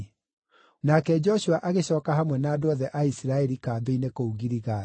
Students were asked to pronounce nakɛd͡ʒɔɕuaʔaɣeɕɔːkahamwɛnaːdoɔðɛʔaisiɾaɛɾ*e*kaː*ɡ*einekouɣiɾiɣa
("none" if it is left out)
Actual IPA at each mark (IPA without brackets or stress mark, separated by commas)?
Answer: i, b